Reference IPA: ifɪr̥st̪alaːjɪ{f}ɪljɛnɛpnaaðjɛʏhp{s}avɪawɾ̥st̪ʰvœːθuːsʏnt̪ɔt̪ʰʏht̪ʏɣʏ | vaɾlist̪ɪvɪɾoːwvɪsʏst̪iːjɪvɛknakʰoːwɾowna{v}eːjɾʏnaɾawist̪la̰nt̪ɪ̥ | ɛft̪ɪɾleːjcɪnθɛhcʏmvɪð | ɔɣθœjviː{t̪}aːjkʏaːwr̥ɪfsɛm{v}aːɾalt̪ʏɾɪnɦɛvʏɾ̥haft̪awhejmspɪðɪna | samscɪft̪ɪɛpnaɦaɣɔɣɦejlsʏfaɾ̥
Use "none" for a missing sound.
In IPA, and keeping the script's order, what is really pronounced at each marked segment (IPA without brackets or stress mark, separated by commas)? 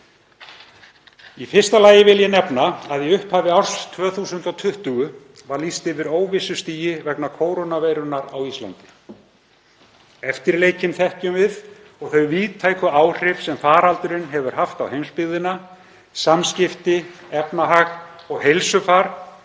v, h, v, t̪ʰ, f